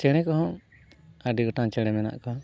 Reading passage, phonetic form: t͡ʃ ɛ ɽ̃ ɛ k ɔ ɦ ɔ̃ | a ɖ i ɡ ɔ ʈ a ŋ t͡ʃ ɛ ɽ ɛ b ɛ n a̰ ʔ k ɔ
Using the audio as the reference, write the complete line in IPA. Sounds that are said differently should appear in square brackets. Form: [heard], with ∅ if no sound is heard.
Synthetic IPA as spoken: t͡ʃ ɛ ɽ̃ ɛ k ɔ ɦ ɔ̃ | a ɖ i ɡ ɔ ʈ a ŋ t͡ʃ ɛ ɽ ɛ [m] ɛ n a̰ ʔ k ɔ